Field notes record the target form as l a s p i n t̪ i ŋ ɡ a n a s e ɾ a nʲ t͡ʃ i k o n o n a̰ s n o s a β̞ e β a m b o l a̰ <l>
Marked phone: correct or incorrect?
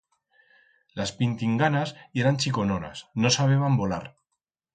incorrect